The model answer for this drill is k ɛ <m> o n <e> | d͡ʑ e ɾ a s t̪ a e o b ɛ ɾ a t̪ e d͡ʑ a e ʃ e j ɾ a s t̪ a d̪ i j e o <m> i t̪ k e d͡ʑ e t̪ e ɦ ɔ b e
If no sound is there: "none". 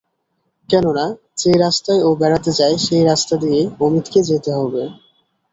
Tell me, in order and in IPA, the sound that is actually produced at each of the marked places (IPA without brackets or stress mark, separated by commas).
n, a, m